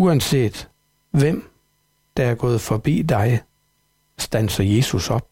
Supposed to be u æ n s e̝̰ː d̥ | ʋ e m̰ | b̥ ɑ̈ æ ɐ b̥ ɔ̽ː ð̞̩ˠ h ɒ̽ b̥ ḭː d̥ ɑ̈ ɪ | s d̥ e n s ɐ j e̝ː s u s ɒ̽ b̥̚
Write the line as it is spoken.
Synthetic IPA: u æ n s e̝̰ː d̥ | ʋ e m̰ | d̥ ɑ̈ æ ɐ ɡ̥ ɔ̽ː ð̞̩ˠ f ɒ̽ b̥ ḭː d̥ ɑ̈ ɪ | s d̥ æ n s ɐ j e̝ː s u s ɒ̽ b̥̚